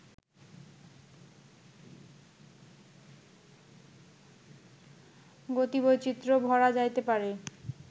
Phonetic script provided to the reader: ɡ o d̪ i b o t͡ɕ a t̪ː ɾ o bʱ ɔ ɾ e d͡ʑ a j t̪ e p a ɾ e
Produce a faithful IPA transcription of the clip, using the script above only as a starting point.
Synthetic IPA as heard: ɡ o t̪ i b o t͡ɕ i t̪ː ɾ o bʱ ɔ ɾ a d͡ʑ a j t̪ e p a ɾ e